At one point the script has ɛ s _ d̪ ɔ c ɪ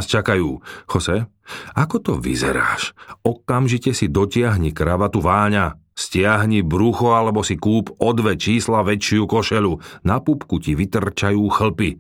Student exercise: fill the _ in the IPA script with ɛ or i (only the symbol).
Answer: i